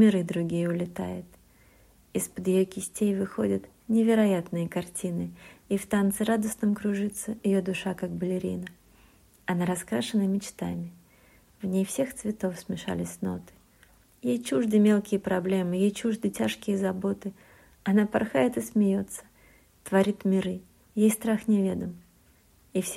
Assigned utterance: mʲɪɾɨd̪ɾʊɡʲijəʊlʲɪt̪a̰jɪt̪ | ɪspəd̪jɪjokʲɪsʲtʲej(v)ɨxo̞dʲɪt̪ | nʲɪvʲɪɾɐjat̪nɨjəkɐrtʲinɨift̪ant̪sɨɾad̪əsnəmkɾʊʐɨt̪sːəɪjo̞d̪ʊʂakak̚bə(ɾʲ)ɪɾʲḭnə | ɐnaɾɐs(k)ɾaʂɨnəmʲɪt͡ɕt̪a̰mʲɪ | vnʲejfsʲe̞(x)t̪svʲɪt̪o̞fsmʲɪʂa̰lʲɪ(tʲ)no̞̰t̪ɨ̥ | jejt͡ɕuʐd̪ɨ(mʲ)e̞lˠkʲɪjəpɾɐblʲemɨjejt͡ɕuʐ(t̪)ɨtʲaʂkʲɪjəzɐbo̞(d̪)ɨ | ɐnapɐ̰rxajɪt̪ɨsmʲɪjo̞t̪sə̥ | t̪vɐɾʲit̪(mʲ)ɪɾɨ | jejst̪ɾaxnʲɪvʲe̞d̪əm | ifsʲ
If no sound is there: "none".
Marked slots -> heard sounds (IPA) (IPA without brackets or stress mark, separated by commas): v, lʲ, k, x, sʲ, mʲ, d̪, t̪, mʲ